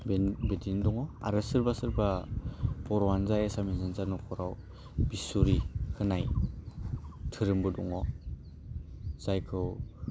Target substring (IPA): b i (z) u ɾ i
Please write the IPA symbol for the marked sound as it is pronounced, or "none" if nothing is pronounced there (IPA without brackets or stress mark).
s